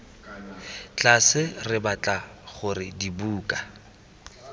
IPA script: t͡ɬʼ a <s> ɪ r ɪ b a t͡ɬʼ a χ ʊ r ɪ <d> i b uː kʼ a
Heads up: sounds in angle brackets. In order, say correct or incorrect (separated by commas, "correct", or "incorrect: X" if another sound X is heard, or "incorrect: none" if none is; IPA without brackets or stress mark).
correct, correct